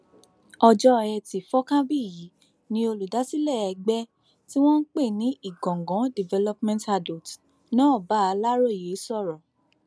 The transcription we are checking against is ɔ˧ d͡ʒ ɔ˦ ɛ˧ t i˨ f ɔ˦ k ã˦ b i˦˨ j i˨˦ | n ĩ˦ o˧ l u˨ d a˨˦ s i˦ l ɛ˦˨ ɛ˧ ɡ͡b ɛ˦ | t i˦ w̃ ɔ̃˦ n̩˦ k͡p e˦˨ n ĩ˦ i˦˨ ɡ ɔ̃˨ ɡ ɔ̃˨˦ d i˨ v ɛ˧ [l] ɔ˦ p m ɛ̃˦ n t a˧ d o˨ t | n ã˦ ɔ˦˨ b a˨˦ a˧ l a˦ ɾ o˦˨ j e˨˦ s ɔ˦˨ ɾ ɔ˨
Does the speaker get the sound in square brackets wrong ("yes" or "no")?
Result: no